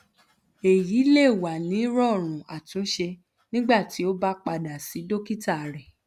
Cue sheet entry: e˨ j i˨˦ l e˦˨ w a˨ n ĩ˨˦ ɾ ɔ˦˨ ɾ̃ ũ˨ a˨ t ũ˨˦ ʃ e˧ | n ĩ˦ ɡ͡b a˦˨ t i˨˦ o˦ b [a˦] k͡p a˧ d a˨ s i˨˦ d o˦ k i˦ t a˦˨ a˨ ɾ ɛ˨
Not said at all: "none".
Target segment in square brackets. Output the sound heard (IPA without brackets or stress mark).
a˦